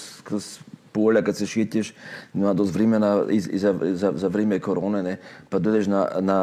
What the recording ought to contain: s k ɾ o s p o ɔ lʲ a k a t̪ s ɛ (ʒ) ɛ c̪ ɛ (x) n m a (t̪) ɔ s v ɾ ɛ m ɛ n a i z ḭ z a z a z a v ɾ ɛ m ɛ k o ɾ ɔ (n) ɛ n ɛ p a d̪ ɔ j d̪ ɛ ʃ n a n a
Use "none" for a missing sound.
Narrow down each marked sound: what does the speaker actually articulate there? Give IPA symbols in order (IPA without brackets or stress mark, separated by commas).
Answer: ʃ, ʃ, d̪, n